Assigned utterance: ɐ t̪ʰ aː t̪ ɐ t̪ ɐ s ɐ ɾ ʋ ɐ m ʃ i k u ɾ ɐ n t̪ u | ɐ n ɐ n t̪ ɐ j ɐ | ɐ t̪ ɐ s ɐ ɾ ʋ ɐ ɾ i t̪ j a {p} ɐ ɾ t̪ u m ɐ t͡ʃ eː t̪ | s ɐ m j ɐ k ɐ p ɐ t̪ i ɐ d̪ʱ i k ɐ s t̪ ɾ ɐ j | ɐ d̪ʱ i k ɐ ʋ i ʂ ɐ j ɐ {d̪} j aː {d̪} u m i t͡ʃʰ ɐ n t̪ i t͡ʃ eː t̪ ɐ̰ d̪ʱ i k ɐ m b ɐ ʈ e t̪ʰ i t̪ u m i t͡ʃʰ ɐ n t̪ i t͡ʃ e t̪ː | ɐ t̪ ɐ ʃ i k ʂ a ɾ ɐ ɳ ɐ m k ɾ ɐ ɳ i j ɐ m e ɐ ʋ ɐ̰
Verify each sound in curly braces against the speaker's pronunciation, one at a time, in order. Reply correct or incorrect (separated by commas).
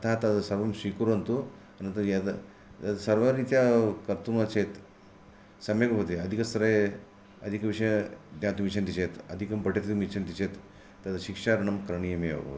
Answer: incorrect, correct, incorrect